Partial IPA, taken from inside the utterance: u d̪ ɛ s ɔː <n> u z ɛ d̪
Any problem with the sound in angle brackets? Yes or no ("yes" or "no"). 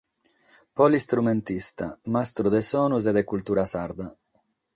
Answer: no